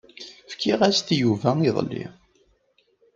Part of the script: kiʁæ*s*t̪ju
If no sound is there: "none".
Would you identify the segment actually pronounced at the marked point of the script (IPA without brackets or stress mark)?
s